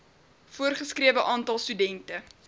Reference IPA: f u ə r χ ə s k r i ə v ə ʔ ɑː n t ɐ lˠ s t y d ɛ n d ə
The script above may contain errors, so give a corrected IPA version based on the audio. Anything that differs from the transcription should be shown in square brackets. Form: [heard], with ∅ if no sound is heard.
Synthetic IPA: f u ə r χ ə s k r i ə v ə ʔ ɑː n t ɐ lˠ s t y d ɛ n [t] ə